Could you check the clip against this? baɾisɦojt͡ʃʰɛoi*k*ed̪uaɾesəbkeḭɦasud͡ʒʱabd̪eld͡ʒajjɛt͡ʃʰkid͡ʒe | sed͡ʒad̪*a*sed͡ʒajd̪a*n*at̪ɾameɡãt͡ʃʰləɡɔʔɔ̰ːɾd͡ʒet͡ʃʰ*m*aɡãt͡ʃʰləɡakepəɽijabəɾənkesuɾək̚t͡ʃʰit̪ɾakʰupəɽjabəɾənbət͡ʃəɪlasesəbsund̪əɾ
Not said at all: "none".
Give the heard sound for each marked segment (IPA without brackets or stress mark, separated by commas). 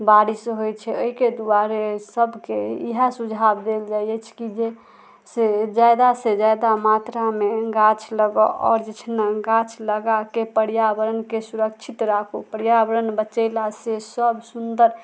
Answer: k, a, m, n